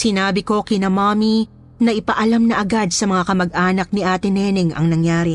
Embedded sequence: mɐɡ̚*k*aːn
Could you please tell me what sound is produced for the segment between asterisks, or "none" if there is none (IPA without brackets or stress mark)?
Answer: ʔ